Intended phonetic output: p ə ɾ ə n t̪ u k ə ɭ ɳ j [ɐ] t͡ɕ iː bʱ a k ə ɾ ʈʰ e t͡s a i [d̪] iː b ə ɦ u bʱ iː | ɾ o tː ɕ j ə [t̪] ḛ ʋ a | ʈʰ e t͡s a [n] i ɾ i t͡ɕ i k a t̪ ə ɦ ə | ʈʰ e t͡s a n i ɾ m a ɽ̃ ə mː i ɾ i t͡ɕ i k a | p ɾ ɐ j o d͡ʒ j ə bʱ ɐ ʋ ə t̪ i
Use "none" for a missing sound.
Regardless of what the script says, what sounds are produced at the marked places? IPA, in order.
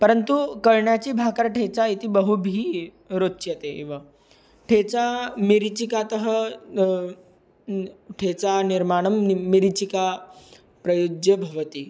a, t̪, t̪, m

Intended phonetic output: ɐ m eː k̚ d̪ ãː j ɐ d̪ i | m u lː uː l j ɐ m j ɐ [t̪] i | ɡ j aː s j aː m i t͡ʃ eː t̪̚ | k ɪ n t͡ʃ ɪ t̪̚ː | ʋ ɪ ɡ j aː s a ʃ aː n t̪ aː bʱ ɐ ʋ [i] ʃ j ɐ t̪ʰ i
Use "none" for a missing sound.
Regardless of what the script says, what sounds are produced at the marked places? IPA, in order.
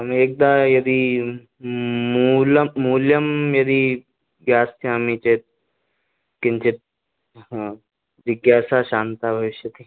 d̪, ɪ

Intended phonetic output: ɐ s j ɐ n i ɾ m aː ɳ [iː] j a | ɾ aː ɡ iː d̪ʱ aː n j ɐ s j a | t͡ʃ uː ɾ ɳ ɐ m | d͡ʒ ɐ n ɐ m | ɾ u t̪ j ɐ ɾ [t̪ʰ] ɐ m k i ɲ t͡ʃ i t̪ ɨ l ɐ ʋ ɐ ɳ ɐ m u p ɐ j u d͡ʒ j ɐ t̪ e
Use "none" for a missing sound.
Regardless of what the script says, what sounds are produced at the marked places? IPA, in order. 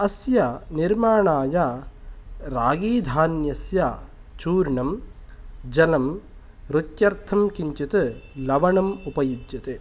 aː, t̪ʰ

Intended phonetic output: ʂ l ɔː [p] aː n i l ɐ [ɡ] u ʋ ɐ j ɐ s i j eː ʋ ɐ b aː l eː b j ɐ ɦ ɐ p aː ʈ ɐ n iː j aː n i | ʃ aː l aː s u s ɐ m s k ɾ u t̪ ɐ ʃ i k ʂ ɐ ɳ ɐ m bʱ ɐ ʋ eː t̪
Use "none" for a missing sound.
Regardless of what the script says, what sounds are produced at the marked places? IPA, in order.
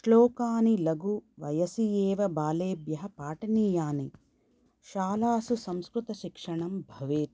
k, ɡ

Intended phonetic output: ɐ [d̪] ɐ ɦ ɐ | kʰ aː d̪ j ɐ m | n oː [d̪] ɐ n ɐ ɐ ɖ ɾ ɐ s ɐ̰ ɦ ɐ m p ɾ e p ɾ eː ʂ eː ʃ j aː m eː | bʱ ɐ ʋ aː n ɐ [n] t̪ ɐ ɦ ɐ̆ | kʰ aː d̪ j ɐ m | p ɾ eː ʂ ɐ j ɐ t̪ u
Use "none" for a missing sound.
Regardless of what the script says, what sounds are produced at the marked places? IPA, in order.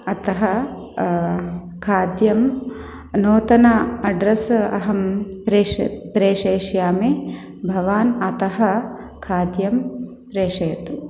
t̪, t̪, none

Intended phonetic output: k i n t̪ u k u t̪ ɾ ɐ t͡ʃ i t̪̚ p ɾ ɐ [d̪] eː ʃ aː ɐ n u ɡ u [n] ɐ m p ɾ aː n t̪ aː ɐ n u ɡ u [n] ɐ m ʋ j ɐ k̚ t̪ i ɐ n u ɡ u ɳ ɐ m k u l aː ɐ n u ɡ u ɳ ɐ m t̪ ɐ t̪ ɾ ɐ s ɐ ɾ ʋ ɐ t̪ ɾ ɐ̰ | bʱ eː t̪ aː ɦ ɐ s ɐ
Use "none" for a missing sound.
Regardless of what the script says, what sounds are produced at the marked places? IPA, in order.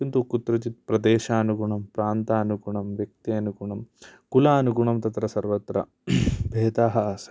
d̪, ɳ, ɳ

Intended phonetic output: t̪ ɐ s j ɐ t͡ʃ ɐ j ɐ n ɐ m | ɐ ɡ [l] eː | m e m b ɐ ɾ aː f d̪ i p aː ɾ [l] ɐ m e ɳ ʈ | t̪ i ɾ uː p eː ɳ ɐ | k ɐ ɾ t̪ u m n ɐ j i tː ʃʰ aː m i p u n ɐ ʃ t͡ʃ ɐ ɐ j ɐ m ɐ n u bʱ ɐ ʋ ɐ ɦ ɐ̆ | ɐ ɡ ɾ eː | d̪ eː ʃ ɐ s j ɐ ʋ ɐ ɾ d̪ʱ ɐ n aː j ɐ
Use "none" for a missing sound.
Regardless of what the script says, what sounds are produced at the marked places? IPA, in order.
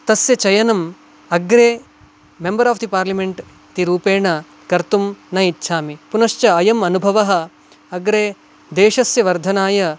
ɾ, l

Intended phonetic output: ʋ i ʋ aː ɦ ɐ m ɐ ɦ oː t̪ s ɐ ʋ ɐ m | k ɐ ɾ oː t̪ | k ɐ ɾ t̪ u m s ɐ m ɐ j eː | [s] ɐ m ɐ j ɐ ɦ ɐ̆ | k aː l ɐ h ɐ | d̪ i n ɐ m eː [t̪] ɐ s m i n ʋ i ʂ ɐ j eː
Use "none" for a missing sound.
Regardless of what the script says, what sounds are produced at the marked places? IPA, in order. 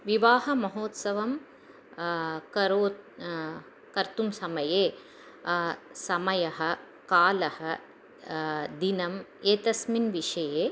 s, t̪

